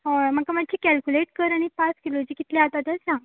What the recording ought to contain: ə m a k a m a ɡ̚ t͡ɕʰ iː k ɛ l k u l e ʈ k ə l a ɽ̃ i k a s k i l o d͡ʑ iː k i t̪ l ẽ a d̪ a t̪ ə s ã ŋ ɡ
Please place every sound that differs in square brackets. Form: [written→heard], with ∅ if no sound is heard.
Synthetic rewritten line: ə m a k a m a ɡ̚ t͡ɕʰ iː k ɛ l k u l e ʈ k ə [l→ɾ] a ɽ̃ i [k→p] a s k i l o d͡ʑ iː k i t̪ l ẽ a [d̪→t̪] a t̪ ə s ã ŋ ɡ